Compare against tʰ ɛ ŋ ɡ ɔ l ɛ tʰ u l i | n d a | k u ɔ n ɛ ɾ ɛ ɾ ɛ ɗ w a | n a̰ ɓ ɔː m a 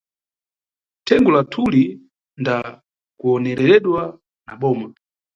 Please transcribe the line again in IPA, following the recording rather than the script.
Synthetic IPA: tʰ ɛ ŋ ɡ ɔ l a tʰ u l i | n d a | k u ɔ n ɛ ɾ ɛ ɾ ɛ ɗ w a | n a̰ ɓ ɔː m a

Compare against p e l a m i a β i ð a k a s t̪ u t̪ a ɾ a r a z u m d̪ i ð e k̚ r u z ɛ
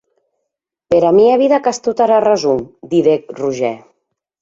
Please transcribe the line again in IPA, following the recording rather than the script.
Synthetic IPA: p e ɾ a m i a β i ð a k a s t̪ u t̪ a ɾ a r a z u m d̪ i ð e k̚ r u ʒ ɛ

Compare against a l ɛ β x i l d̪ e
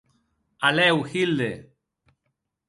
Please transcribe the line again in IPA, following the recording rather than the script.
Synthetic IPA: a l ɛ w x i l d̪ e

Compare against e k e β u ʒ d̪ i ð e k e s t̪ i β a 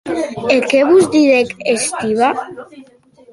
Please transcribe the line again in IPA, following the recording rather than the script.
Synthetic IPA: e k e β u z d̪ i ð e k e s t̪ i β a

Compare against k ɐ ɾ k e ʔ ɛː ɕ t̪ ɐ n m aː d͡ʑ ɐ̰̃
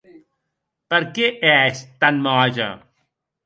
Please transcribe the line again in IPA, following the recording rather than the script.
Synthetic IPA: p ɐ ɾ k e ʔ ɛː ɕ t̪ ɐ n m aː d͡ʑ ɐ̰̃

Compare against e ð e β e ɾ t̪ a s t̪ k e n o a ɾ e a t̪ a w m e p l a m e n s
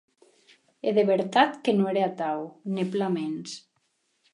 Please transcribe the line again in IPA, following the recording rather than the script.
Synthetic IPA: e ð e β e ɾ t̪ a t̪ k e n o e ɾ e a t̪ a w n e p l a m e n s

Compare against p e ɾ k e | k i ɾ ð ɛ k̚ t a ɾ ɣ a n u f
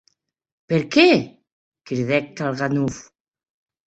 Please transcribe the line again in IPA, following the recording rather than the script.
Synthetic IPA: p e ɾ k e | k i ɾ ð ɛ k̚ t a l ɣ a n u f

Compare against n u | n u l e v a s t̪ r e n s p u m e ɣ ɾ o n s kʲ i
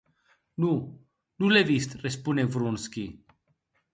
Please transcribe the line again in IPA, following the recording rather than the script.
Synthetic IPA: n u | n u l e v i s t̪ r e s p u n e v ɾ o n s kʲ i

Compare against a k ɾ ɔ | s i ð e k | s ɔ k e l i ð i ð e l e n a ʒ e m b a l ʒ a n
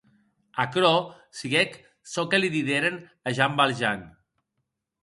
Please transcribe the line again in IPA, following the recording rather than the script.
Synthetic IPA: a k ɾ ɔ | s i ɣ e k | s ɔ k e l i ð i ð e ɾ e n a ʒ a m b a l ʒ a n

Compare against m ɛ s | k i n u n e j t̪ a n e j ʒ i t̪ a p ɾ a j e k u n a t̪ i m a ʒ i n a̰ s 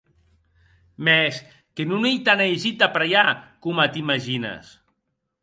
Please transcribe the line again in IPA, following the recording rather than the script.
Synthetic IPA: m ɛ s | k e n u n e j t̪ a n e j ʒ i t̪ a p ɾ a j a k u m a t̪ i m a ʒ i n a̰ s

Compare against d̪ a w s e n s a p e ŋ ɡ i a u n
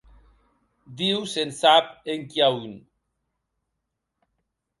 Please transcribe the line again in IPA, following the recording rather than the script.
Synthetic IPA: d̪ i w s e n s a p e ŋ k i a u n

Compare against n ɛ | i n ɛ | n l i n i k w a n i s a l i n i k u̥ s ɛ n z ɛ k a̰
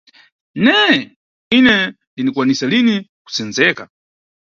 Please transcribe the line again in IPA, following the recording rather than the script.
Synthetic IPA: n ɛ | i n ɛ | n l i n i k w a n i s a l i n i k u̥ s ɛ n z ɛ k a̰

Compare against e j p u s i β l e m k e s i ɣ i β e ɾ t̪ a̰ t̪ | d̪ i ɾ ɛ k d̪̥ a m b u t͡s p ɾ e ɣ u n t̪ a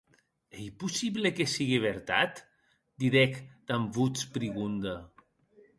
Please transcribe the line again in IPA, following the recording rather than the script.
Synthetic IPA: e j p u s i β l e k e s i ɣ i β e ɾ t̪ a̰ t̪ | d̪ i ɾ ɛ k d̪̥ a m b u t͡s p ɾ i ɣ u n d̪ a

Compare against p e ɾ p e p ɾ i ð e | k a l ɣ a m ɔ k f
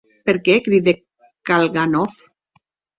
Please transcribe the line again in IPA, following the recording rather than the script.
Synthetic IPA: p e ɾ k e k ɾ i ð e | k a l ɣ a n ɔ f

